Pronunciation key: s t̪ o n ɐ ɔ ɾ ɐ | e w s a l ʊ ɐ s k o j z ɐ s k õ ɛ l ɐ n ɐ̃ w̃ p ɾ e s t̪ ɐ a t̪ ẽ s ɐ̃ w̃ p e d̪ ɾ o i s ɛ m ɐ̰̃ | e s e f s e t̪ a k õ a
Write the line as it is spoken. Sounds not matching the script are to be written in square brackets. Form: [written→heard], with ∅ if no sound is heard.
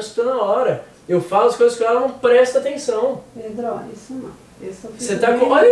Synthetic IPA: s t̪ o n ɐ ɔ ɾ ɐ | e w [s→f] a l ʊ ɐ s k o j z ɐ s k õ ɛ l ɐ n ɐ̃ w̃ p ɾ [e→ɛ] s t̪ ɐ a t̪ ẽ s ɐ̃ w̃ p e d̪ ɾ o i s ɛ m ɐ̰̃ | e s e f s e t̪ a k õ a